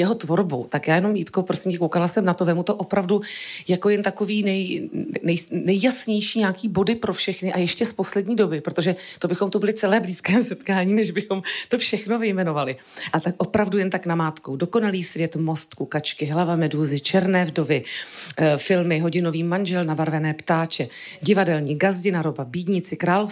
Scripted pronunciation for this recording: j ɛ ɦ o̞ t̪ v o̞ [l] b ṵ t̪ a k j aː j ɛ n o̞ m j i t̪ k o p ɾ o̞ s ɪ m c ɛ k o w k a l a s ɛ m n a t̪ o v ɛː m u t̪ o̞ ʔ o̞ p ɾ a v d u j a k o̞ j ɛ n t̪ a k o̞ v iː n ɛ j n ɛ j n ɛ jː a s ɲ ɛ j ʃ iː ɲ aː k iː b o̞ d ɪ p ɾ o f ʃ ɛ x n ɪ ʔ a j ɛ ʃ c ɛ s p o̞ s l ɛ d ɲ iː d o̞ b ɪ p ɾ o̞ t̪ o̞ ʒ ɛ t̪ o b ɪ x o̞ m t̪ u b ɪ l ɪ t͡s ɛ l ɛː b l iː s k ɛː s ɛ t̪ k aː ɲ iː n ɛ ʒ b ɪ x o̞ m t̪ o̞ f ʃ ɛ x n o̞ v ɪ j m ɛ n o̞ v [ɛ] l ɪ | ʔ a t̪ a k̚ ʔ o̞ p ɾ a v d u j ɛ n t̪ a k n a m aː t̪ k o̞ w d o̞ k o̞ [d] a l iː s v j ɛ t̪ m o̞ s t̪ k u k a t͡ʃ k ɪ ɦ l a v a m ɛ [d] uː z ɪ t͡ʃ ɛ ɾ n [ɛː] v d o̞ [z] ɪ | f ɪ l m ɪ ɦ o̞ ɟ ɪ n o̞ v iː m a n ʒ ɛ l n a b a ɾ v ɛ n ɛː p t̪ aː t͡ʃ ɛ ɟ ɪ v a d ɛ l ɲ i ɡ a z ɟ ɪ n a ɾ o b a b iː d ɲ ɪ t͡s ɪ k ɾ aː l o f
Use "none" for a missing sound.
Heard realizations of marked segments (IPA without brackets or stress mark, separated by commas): ɾ, a, n, d, ɛː, v